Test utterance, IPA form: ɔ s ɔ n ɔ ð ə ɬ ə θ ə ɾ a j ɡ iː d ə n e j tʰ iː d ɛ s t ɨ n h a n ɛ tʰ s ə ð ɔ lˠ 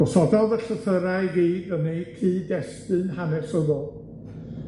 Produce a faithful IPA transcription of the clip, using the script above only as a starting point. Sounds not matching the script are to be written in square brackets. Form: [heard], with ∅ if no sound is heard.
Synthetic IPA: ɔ s ɔ [d] ɔ ð ə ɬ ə θ ə ɾ a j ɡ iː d ə n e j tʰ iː d ɛ s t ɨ n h a n ɛ [∅] s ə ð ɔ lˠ